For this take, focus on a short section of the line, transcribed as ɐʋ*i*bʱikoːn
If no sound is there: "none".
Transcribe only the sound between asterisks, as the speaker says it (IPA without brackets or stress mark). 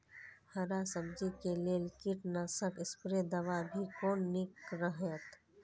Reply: a